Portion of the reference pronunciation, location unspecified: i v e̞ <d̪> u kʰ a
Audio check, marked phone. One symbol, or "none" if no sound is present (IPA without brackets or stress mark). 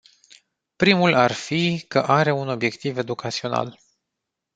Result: d̪